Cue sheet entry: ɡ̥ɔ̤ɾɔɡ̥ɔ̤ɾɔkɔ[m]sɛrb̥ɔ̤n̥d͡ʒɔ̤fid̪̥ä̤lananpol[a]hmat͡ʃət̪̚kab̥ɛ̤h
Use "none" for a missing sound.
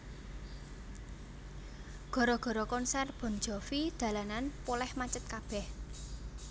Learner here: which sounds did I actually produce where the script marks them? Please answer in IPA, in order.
n, ɛ

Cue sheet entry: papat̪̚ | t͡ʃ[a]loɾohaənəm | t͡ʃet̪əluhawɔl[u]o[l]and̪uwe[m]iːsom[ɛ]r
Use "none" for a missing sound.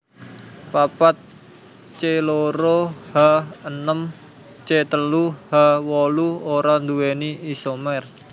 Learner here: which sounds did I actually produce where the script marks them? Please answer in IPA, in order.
e, u, ɾ, n, ɛ

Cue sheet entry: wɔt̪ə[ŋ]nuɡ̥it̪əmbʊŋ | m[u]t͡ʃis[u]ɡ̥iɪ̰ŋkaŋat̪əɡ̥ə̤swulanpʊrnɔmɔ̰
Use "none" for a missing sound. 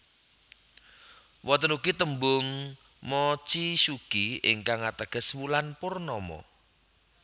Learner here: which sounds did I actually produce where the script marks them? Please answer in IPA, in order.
none, ɔ, u

